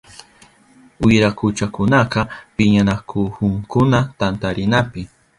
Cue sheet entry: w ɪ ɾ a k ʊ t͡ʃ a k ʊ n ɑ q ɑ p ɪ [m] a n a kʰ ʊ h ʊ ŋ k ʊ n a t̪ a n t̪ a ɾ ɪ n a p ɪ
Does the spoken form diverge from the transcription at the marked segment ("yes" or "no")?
yes